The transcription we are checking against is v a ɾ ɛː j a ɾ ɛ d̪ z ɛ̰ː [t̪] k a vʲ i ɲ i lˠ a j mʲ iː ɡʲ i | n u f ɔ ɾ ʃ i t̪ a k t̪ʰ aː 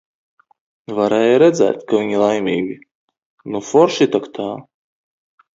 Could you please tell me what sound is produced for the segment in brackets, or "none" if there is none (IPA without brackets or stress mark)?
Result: t̪